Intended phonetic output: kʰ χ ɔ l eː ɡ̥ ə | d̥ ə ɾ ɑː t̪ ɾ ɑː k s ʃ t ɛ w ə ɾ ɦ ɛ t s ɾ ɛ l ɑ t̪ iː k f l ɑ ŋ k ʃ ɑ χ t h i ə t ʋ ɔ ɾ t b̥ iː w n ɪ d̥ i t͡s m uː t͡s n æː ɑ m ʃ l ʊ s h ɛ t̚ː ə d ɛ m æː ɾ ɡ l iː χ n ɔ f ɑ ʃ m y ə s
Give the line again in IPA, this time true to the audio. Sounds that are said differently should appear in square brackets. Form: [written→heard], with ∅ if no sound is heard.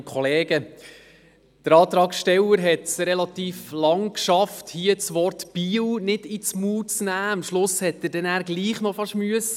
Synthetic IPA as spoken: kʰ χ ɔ l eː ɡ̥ ə | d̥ ə ɾ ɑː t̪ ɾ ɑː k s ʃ t ɛ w ə ɾ ɦ ɛ t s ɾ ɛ l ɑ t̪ iː [k→∅] f l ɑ ŋ k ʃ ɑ [χ→f] t h i ə [t→t͡s] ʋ ɔ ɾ t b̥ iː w n ɪ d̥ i t͡s m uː t͡s n æː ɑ m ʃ l ʊ s h ɛ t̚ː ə d ɛ [m→n] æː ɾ ɡ l iː χ n ɔ f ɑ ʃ m y ə s